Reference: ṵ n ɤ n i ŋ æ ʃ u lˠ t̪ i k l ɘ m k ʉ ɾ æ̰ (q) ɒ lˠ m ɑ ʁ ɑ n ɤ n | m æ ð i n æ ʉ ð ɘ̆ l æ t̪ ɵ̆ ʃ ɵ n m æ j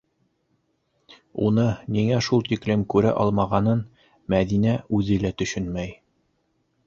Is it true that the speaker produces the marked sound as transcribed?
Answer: no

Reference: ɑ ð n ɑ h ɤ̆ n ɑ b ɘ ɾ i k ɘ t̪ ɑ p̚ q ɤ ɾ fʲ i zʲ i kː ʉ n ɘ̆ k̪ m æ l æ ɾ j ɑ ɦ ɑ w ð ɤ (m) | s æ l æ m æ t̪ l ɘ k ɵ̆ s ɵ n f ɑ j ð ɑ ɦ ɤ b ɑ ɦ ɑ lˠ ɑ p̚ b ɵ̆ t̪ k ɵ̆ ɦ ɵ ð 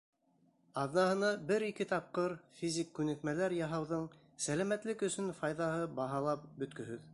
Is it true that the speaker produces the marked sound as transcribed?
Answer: no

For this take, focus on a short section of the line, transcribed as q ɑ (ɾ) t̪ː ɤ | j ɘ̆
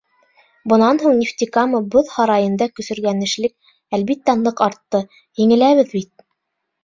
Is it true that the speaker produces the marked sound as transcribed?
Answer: yes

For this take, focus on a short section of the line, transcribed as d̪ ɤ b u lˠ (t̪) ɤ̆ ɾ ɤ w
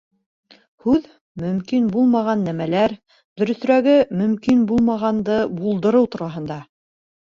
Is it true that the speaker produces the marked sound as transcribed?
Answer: no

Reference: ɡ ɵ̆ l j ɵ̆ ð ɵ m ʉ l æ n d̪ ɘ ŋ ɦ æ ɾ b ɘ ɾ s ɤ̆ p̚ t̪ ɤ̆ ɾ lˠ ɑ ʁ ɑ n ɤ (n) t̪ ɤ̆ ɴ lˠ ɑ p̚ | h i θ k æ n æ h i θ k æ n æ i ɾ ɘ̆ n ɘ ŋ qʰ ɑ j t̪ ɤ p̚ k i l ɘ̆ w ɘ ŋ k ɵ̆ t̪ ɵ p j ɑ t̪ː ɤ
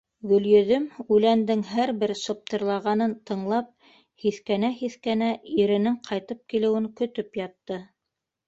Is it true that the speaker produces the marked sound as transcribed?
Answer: yes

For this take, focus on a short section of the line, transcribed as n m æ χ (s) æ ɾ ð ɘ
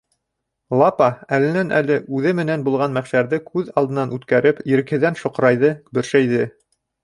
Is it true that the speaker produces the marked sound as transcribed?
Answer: no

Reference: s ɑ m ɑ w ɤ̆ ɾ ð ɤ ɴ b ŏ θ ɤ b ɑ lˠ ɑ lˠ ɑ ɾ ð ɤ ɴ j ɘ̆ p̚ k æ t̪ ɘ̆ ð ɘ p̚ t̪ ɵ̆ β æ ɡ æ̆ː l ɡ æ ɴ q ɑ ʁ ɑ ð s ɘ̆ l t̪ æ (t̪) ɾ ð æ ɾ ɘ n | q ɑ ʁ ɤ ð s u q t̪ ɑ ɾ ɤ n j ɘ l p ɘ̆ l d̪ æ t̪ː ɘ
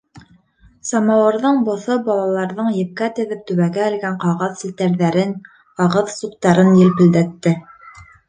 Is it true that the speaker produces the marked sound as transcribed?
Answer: no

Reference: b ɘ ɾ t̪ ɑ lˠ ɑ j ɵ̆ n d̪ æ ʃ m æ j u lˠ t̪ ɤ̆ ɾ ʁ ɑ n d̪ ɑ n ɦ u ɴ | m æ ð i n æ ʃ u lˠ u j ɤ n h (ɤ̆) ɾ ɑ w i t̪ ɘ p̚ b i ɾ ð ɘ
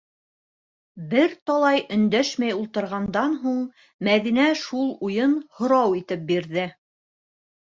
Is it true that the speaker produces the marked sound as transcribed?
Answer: no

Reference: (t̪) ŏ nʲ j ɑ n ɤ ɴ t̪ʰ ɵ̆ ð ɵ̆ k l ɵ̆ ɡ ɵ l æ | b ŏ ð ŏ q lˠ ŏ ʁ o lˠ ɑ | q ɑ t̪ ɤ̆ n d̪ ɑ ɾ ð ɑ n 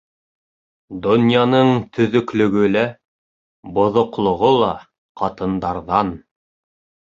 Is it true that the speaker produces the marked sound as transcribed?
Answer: no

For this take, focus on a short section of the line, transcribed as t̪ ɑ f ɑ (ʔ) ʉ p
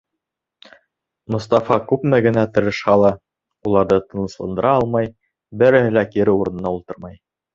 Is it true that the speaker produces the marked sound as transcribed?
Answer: no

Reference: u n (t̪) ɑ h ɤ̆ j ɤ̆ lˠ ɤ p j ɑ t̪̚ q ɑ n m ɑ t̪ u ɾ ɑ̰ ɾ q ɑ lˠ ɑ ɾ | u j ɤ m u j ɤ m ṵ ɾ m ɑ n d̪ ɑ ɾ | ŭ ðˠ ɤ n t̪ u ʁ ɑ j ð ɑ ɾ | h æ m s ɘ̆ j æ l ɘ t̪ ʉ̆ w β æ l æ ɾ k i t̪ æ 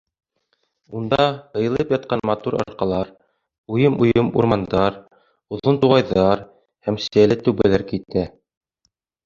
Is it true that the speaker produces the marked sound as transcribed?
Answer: no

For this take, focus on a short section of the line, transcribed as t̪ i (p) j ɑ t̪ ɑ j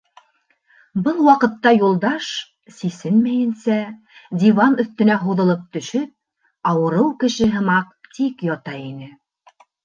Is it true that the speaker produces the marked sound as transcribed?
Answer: no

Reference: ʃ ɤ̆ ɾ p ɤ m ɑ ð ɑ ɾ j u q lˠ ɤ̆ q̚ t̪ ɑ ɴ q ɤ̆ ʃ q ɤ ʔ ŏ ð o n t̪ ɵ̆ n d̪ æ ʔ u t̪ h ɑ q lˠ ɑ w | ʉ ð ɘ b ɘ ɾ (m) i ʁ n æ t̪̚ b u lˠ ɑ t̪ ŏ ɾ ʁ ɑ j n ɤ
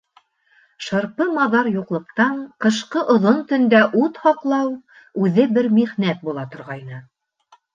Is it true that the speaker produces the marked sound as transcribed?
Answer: yes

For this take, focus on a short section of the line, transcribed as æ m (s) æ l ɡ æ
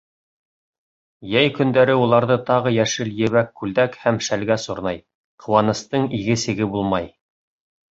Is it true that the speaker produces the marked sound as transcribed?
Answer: no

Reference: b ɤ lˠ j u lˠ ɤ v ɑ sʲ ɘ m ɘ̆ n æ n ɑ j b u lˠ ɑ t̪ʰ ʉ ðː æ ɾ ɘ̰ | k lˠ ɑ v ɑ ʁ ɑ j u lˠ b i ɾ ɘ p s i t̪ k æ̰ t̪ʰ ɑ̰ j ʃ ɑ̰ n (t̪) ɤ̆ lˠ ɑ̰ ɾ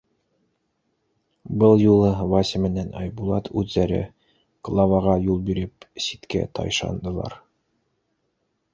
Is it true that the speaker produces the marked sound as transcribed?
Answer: no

